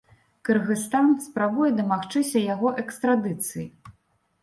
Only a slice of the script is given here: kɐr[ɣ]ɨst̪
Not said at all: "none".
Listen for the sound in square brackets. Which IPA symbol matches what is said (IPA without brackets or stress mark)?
ɣ